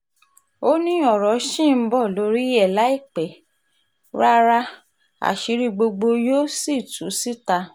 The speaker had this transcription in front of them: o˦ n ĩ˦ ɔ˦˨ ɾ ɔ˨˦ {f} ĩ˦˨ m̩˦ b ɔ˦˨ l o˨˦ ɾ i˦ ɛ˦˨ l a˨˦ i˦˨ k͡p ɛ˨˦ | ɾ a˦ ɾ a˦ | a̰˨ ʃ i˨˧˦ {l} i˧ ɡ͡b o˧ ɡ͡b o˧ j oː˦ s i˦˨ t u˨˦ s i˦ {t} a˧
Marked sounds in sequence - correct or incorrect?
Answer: incorrect: ʃ, incorrect: ɾ, correct

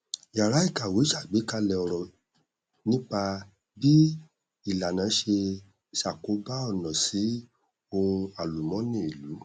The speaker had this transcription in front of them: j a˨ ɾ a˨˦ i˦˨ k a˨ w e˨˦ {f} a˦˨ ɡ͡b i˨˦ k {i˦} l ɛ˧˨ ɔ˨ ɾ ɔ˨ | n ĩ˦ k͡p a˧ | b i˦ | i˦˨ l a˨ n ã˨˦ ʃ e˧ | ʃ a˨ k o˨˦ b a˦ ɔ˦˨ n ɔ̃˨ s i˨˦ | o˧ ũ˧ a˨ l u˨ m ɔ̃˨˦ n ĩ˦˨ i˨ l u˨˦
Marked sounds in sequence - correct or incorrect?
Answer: incorrect: ʃ, incorrect: a˦

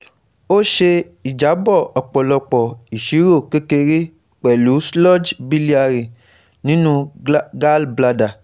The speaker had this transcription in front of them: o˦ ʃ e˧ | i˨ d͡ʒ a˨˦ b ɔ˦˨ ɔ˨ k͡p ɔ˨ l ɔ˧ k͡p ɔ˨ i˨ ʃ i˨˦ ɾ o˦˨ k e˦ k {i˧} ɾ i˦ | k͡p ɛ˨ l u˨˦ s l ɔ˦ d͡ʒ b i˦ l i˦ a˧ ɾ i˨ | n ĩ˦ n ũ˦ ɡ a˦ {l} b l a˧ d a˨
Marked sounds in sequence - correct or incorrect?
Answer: incorrect: e˧, correct

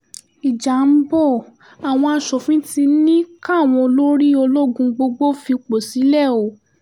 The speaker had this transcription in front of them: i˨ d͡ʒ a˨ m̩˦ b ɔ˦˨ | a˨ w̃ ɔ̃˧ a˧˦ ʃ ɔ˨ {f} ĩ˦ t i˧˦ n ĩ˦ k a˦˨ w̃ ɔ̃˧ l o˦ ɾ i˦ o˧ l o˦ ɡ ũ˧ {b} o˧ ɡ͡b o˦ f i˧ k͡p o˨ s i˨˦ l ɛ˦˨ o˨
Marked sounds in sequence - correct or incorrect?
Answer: correct, incorrect: ɡ͡b

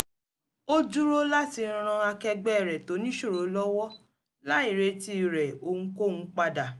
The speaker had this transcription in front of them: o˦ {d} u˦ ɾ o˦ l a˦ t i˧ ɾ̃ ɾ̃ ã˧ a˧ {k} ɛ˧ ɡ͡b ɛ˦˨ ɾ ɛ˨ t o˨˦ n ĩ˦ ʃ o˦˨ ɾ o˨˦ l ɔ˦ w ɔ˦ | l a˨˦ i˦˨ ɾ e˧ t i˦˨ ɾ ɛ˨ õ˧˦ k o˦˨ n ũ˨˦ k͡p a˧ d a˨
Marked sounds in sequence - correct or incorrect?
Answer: incorrect: d͡ʒ, correct

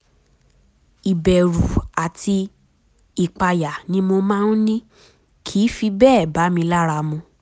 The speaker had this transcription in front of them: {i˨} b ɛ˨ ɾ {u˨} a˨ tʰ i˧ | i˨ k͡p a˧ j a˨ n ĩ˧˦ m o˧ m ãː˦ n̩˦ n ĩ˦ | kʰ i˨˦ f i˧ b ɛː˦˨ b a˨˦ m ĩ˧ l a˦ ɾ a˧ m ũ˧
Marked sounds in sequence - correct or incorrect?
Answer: correct, correct

